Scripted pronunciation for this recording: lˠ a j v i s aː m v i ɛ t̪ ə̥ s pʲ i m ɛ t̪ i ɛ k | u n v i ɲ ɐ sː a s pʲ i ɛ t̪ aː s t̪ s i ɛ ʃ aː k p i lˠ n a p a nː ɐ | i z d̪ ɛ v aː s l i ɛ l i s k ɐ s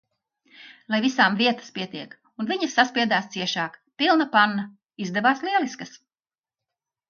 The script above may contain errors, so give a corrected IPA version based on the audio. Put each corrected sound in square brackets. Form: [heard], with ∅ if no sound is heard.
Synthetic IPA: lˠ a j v i s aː m v i ɛ t̪ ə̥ s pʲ i [∅] ɛ t̪ i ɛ k | u n v i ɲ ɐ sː a s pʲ i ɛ [d̪] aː s t̪ s i ɛ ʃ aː k p i lˠ n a p a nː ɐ | i z d̪ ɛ v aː s l i ɛ l i s k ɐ s